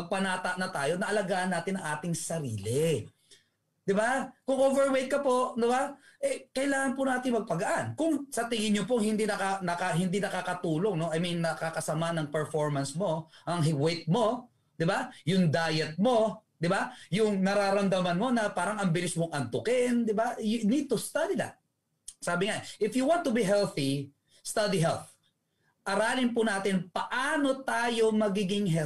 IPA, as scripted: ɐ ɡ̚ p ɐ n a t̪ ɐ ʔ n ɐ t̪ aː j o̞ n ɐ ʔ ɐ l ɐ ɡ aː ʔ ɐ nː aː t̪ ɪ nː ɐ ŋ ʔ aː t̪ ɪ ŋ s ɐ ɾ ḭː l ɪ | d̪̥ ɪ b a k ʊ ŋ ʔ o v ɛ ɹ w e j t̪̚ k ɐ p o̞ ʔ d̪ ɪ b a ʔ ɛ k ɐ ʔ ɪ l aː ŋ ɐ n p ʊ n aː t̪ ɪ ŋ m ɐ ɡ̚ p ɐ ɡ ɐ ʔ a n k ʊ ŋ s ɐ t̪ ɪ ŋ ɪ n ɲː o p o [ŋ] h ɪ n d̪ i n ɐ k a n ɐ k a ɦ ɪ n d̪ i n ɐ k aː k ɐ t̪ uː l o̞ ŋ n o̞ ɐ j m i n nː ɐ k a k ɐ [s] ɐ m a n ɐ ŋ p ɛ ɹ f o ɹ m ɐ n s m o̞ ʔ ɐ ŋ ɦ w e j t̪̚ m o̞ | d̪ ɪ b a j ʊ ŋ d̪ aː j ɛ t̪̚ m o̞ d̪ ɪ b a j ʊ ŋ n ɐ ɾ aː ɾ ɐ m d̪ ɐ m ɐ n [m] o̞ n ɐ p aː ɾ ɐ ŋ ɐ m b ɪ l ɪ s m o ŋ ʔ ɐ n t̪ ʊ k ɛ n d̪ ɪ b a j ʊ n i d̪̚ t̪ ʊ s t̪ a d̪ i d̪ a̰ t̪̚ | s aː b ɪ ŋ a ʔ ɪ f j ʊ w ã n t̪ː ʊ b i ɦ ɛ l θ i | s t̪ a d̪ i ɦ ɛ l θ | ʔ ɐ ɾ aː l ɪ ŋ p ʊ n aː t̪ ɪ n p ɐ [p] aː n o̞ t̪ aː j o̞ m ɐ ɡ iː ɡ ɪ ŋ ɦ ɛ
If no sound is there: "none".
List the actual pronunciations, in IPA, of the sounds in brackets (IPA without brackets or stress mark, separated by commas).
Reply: ŋ, s, m, ʔ